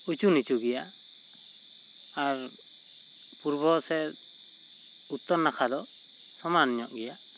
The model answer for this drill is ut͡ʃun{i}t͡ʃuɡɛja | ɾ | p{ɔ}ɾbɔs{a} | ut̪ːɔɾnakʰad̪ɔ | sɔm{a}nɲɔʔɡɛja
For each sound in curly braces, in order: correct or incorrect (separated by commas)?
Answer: correct, incorrect, incorrect, correct